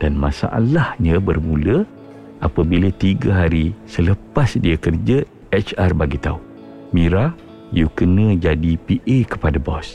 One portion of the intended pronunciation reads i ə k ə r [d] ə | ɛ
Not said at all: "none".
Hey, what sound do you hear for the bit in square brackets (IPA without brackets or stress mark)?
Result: d͡ʒ